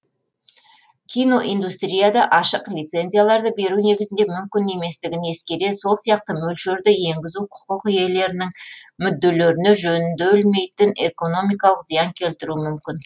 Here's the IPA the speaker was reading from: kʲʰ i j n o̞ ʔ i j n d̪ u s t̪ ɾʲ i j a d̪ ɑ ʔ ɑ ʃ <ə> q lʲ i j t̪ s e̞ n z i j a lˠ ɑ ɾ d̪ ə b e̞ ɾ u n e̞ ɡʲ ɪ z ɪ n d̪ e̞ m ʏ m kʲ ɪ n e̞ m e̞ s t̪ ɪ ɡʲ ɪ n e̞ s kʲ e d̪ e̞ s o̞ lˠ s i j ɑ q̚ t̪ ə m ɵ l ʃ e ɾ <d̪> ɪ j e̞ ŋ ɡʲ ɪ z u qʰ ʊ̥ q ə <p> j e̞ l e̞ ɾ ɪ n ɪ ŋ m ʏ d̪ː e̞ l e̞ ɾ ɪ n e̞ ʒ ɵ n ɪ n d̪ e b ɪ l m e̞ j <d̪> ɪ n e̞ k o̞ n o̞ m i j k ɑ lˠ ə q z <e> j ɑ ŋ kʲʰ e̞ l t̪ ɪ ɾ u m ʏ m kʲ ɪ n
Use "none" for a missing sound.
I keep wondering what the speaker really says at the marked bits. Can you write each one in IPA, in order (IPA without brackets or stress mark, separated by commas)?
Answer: ə, d̪, q, t̪, i